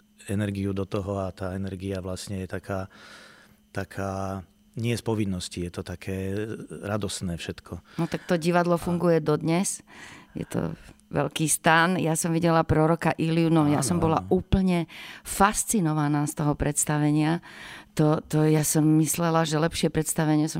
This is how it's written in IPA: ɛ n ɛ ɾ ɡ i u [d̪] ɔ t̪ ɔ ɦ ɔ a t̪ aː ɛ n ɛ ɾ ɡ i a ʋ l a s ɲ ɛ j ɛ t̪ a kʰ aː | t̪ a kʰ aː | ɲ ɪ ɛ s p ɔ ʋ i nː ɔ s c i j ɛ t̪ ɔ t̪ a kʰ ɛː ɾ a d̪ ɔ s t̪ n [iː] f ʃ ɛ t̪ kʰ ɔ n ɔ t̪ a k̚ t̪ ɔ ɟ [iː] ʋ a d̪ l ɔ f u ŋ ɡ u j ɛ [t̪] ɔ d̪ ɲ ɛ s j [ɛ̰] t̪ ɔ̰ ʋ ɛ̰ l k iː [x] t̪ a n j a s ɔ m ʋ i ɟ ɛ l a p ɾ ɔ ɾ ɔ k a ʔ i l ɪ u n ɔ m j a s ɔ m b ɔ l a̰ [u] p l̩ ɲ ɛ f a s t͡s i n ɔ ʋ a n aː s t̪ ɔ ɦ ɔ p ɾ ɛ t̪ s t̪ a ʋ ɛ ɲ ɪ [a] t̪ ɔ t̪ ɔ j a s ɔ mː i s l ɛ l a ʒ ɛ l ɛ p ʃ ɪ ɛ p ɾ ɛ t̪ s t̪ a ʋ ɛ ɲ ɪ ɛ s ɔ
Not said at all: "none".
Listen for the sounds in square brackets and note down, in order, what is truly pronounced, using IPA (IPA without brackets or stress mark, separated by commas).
d̪, ɛː, i, d̪, ɛ̰, s, uː, a